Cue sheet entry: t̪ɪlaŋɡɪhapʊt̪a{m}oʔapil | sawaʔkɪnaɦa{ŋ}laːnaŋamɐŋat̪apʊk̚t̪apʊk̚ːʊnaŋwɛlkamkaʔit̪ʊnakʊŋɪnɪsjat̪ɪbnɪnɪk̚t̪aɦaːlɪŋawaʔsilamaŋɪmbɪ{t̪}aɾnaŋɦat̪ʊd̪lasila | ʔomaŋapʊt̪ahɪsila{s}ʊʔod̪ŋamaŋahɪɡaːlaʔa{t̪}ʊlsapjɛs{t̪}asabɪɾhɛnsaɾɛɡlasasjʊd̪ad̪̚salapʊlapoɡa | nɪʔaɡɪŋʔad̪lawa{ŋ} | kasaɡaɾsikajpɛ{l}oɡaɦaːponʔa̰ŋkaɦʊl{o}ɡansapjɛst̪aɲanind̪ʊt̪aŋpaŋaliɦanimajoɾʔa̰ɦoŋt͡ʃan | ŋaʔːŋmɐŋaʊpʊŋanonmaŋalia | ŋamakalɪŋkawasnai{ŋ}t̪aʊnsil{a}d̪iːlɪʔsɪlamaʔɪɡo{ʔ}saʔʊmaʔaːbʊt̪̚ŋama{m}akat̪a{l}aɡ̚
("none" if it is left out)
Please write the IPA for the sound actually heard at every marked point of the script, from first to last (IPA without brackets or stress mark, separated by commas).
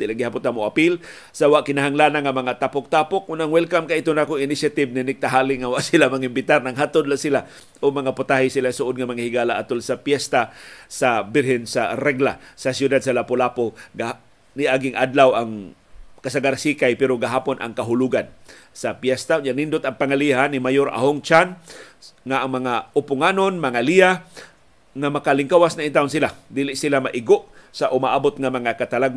m, ŋ, t̪, s, t̪, t̪, ŋ, ɾ, u, n, a, ʔ, ŋ, l